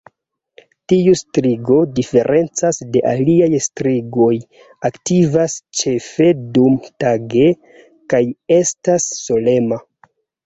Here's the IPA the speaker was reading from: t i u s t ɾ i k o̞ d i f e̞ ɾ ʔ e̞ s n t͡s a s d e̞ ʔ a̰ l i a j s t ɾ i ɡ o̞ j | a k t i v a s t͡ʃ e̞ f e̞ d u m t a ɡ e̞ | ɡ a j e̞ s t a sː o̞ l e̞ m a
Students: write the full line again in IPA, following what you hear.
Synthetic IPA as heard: t i u s t ɾ i ɡ o̞ d i f e̞ ɾ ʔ e̞ n t͡s a s d e̞ ʔ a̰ l i a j s t ɾ i ɡ o̞ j | a k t i v a s t͡ʃ e̞ f e̞ d u m t a ɡ e̞ | k a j e̞ s t a sː o̞ l e̞ m a